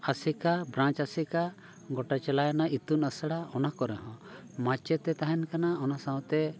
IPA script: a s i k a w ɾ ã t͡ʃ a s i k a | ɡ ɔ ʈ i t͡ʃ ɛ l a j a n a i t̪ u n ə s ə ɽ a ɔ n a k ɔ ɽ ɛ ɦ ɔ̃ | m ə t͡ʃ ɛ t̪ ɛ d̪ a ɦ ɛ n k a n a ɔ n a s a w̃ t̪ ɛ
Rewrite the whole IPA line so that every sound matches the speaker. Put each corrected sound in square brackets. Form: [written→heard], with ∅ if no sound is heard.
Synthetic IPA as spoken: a s i k a [w→b] ɾ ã t͡ʃ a s i k a | ɡ ɔ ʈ [i→a] t͡ʃ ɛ l a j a n a i t̪ u n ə s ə ɽ a ɔ n a k ɔ [ɽ→ɾ] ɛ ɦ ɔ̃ | m [ə→a] t͡ʃ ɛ t̪ ɛ [d̪→t̪] a ɦ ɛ n k a n a ɔ n a s a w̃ t̪ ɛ

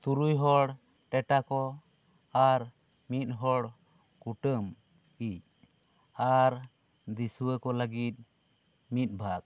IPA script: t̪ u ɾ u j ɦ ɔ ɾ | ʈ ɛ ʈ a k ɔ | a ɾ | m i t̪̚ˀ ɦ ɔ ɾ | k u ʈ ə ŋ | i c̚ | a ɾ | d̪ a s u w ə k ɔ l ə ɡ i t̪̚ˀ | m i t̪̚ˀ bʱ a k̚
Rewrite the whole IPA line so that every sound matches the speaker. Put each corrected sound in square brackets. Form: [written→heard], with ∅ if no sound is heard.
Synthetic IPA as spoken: t̪ u ɾ u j ɦ ɔ [ɾ→ɽ] | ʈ ɛ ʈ a k ɔ | a ɾ | m i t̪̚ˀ ɦ ɔ [ɾ→ɽ] | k u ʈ ə [ŋ→m] | i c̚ | a ɾ | d̪ [a→i] s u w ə k ɔ l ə ɡ i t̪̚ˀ | m i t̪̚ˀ bʱ a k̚

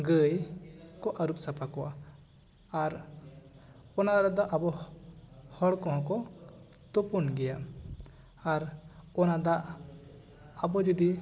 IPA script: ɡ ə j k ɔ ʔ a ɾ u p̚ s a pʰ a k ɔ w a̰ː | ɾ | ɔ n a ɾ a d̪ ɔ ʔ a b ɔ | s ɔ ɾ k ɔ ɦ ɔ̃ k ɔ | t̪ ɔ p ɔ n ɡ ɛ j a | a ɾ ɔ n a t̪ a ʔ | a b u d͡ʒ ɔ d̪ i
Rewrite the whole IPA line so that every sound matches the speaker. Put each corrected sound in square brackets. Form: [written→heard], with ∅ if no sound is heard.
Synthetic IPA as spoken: ɡ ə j k ɔ ʔ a ɾ u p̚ s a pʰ a k ɔ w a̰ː | ɾ | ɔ n a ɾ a d̪ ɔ ʔ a b ɔ | [s→h] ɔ [ɾ→ɽ] k ɔ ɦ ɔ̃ k ɔ | t̪ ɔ p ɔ n ɡ ɛ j a | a ɾ ɔ n a [t̪→d̪] a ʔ | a b [u→ɔ] d͡ʒ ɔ d̪ i

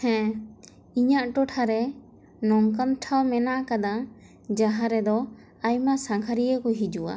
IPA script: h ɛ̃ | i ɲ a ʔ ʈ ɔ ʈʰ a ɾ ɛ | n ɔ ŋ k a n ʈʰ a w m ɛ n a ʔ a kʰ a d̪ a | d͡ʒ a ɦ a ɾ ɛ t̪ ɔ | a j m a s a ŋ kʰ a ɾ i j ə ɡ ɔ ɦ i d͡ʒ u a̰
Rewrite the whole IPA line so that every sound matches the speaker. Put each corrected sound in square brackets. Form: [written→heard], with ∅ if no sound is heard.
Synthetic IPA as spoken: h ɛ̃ | i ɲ a ʔ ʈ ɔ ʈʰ a ɾ ɛ | n ɔ ŋ k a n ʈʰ a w m ɛ n a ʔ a [kʰ→k] a d̪ a | d͡ʒ a ɦ a ɾ ɛ [t̪→d̪] ɔ | a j m a s a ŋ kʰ a ɾ i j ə [ɡ→k] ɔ ɦ i d͡ʒ u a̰

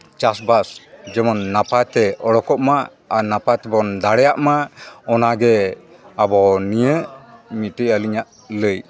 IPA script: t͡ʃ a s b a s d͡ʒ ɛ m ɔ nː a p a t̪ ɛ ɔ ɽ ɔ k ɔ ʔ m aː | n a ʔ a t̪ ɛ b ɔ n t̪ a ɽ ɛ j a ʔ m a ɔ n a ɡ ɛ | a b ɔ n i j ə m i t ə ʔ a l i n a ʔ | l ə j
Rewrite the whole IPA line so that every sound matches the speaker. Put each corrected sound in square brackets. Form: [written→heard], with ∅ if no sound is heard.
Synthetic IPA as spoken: t͡ʃ a s b a s d͡ʒ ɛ m ɔ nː a p a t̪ ɛ ɔ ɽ ɔ k ɔ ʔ m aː | n a [ʔ→p] a t̪ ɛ b ɔ n [t̪→d̪] a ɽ ɛ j a ʔ m a ɔ n a ɡ ɛ | a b ɔ n i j ə m i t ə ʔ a l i [n→ɲ] a ʔ | l ə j

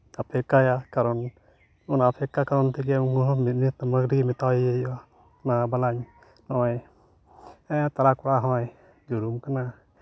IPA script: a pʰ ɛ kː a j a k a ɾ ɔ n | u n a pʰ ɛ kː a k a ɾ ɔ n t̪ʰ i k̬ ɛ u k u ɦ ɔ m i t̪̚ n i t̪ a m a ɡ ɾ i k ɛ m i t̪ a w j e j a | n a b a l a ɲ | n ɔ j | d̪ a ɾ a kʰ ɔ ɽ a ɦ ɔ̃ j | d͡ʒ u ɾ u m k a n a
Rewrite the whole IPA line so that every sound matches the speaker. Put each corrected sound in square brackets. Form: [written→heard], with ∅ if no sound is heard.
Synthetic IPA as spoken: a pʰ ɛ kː a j a k a ɾ ɔ n | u n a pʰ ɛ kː a k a ɾ ɔ n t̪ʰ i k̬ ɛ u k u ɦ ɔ m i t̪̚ n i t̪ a m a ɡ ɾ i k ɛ m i t̪ a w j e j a | n a b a l a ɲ | n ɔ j | [d̪→t̪] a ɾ a [kʰ→k] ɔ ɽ a ɦ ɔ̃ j | d͡ʒ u ɾ u m k a n a

